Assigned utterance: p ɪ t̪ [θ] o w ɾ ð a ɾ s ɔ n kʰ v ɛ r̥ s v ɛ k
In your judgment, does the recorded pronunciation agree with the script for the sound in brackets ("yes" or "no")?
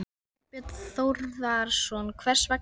yes